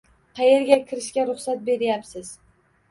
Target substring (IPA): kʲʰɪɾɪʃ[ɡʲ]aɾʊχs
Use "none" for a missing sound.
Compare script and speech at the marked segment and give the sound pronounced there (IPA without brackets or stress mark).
kʲ